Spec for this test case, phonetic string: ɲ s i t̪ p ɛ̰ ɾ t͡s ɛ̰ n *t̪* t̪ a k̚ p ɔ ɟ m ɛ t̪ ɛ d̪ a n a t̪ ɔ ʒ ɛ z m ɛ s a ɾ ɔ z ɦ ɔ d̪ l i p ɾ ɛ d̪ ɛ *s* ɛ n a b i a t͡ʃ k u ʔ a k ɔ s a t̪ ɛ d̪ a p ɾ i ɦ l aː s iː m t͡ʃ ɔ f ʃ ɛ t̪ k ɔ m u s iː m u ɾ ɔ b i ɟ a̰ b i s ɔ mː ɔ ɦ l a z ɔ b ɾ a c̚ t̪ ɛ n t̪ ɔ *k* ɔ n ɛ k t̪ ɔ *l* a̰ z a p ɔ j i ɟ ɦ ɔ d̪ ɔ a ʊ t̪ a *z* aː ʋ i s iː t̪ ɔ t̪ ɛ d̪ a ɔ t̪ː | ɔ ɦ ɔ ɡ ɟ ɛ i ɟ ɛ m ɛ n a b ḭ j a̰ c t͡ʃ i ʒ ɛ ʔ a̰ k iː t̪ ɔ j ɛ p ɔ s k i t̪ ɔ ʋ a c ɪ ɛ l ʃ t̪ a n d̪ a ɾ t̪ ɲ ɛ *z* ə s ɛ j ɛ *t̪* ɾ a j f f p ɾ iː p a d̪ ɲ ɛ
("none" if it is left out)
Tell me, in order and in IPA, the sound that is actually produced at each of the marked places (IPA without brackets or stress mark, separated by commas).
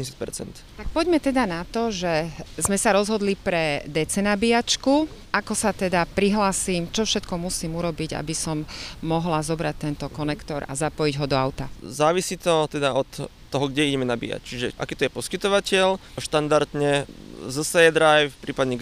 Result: t̪, t͡s, k, ɾ, z, z, d̪